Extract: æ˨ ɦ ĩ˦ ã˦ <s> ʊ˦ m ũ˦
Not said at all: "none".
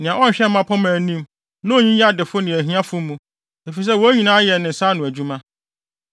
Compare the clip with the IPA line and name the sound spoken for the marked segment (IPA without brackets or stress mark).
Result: f